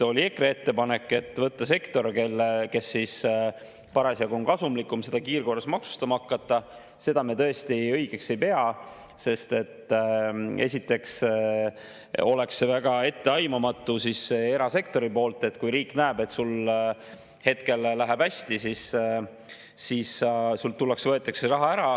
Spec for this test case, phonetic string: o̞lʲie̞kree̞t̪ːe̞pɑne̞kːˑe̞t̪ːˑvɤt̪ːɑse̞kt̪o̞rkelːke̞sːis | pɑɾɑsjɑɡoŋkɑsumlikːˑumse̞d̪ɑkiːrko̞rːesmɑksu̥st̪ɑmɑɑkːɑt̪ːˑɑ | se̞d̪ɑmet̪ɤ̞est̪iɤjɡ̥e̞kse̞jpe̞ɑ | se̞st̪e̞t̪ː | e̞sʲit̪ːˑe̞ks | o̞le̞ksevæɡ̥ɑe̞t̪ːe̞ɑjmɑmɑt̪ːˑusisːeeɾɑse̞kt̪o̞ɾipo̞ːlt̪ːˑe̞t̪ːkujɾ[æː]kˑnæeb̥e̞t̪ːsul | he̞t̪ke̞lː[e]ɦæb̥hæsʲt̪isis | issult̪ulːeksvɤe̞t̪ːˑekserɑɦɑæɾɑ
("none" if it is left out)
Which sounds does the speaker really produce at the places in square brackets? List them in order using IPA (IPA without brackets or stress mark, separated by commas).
iː, æ